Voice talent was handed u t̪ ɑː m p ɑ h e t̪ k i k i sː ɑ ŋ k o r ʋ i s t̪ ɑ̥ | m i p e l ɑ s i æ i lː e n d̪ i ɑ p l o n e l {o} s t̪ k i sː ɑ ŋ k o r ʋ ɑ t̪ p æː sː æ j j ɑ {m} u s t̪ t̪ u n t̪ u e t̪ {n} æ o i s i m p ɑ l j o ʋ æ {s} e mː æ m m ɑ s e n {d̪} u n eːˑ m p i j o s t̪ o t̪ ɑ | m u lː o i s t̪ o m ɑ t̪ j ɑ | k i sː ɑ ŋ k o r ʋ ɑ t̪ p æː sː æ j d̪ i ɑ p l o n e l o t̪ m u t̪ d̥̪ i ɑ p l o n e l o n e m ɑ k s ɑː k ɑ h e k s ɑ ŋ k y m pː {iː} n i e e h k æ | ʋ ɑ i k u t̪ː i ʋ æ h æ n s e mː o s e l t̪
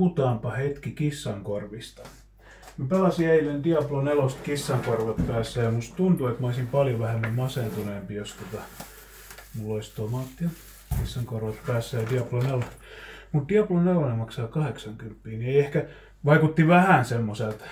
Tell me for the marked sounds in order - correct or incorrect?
correct, correct, incorrect: m, incorrect: h, incorrect: t̪, correct

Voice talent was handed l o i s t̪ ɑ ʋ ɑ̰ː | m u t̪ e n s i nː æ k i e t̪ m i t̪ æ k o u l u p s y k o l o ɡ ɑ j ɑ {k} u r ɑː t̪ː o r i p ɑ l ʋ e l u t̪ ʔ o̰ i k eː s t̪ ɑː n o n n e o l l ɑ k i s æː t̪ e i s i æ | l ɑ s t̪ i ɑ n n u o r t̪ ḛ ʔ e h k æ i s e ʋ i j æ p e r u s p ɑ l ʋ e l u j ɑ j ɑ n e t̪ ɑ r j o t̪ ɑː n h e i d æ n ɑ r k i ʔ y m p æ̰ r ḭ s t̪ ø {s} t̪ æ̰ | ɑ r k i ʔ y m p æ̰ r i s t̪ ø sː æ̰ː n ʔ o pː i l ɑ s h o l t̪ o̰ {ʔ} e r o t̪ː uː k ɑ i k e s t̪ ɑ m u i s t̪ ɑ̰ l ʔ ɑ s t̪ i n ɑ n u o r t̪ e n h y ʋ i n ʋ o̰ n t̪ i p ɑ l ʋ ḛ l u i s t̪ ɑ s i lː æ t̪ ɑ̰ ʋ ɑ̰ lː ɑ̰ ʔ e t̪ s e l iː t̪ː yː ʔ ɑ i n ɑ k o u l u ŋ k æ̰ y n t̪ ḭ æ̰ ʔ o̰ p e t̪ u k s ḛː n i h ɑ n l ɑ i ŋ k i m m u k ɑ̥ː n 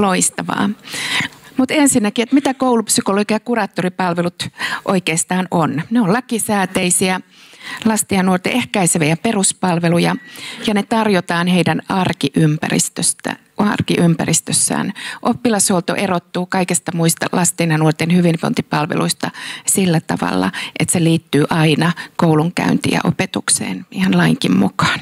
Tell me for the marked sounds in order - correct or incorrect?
correct, correct, correct

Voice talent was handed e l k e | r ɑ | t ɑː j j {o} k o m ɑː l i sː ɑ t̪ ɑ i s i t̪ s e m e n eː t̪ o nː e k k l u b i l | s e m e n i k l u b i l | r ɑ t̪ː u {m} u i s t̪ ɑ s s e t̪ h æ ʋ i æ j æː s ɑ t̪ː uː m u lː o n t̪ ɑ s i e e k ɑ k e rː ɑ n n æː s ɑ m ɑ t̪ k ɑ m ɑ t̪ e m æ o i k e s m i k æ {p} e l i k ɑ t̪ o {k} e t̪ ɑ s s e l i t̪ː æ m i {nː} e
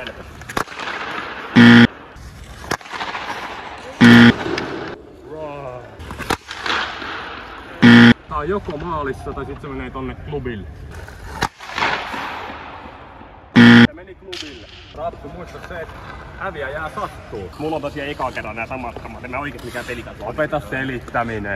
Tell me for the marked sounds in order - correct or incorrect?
correct, correct, correct, incorrect: p, incorrect: n

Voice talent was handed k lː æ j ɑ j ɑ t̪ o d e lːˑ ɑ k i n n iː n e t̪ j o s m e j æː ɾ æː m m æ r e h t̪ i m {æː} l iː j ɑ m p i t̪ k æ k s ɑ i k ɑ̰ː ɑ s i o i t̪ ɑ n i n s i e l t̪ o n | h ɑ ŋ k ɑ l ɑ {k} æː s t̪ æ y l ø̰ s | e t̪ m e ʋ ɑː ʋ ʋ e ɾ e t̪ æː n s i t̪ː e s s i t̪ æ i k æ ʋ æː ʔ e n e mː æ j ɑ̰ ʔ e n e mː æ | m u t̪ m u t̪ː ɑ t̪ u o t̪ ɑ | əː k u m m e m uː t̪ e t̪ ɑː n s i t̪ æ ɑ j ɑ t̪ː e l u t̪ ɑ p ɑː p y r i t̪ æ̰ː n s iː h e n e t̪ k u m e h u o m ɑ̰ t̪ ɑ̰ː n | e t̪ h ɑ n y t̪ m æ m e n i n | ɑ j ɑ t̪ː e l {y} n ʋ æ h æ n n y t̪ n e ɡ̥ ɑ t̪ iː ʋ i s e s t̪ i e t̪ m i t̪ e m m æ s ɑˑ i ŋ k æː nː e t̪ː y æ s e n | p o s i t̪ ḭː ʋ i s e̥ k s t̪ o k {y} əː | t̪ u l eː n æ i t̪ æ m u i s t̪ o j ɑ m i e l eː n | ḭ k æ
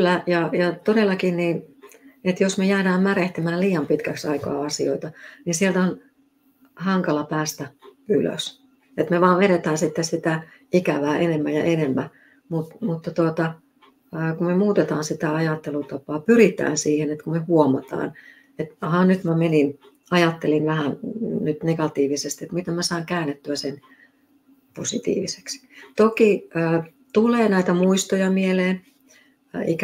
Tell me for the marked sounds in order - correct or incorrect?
correct, incorrect: p, incorrect: i, incorrect: i

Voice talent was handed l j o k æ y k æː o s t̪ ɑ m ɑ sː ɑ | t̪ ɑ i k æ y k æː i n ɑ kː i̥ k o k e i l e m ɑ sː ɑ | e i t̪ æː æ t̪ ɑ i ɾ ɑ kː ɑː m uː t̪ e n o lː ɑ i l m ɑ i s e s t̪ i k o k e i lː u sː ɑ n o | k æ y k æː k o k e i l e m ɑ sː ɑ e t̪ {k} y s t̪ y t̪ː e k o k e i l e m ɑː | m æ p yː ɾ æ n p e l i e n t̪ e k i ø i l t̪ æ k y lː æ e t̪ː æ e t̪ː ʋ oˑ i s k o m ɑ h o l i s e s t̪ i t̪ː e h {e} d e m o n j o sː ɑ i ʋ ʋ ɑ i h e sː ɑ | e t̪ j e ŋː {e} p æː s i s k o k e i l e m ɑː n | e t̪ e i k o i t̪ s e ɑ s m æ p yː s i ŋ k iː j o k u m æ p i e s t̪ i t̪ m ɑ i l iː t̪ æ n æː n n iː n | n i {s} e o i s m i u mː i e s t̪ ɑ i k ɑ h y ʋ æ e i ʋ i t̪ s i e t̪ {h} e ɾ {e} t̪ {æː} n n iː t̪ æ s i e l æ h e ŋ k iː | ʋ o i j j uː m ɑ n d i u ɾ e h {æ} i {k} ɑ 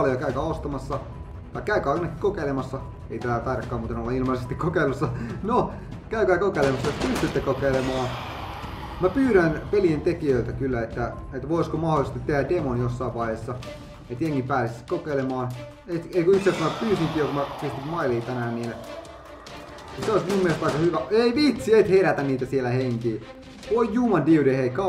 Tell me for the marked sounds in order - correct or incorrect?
incorrect: p, incorrect: æ, incorrect: i, correct, correct, incorrect: æ, incorrect: æ, incorrect: e, correct

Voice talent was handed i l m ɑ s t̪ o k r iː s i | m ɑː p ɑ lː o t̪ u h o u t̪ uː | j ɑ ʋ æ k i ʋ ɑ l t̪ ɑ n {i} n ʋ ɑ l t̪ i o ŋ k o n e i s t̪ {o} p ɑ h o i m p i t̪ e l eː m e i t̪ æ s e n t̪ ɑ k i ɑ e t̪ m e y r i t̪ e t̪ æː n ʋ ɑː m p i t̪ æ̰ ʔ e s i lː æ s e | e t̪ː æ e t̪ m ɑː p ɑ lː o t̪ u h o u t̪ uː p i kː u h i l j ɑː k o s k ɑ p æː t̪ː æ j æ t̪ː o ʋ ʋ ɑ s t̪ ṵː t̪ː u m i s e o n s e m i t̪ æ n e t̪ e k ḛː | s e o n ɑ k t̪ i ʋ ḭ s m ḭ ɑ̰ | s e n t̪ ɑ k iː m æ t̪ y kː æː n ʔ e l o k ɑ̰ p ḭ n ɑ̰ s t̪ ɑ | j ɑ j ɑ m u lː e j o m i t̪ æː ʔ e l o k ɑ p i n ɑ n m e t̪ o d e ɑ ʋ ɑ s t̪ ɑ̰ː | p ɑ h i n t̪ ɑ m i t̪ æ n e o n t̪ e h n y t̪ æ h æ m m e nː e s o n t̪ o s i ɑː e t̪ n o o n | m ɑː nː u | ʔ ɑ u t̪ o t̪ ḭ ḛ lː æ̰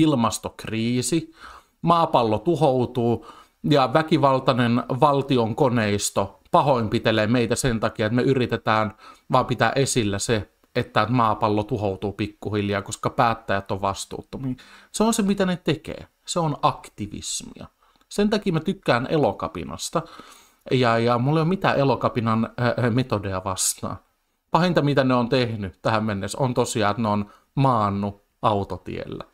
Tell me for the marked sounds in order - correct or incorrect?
incorrect: e, correct

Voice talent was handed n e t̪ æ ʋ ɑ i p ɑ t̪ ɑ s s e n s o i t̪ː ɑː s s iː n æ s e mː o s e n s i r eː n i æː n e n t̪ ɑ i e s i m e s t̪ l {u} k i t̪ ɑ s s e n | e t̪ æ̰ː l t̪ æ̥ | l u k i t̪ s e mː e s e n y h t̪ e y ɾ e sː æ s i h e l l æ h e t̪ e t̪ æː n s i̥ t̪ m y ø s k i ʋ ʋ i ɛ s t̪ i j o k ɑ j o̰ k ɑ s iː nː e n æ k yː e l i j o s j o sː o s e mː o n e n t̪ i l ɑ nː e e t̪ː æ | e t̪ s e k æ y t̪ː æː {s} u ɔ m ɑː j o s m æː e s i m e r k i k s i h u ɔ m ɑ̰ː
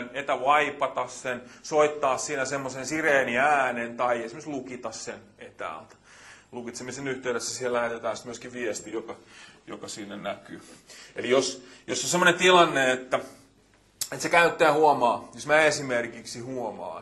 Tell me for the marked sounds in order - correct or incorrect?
correct, incorrect: h

